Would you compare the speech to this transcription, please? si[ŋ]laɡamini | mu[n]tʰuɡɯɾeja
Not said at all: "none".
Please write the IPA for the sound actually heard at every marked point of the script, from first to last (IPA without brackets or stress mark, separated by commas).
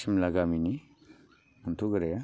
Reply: m, n